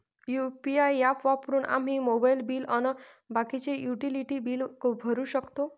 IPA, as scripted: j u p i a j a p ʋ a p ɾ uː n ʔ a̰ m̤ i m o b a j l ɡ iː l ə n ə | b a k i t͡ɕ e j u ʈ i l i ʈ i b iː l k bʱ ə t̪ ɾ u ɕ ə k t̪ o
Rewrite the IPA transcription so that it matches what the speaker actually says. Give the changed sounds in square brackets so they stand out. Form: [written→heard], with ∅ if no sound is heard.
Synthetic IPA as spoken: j u p i a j a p ʋ a p ɾ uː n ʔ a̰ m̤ i m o b a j l [ɡ→b] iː l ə n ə | b a k i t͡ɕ e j u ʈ i l i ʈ i b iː l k bʱ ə [t̪→∅] ɾ u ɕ ə k t̪ o